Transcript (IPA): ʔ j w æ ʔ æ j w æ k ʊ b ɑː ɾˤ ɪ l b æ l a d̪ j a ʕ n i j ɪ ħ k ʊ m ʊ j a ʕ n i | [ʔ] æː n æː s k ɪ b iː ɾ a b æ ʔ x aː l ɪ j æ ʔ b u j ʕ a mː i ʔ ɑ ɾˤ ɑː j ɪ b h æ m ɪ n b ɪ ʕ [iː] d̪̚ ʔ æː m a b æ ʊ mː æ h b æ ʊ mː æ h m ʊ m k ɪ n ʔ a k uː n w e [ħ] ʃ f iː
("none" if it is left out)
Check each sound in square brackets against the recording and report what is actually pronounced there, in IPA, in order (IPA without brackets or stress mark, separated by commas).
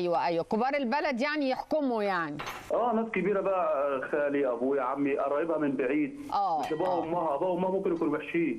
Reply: ʔ, iː, ħ